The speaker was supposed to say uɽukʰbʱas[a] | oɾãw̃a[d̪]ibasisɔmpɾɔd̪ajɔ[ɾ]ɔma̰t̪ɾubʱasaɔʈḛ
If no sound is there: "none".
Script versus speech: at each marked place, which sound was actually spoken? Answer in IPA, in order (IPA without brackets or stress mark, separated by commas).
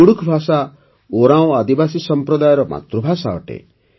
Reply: a, d̪, ɾ